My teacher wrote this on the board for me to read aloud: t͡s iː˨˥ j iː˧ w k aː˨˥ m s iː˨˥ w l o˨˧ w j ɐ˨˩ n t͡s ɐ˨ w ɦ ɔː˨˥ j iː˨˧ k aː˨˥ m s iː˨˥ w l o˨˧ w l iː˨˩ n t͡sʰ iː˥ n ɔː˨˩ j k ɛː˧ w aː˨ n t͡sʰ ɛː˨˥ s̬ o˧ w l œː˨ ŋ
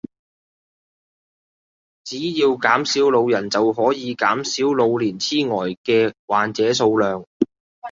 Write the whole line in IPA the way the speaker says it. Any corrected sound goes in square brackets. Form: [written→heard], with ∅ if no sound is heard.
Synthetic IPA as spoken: t͡s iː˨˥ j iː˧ w k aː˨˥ m s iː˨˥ w l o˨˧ w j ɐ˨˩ n t͡s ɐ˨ w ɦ ɔː˨˥ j iː˨˧ k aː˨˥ m s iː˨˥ w l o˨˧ w l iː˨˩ n t͡sʰ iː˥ [n→ŋ] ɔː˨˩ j k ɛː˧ w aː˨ n [t͡sʰ→t͡s] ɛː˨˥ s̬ o˧ w l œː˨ ŋ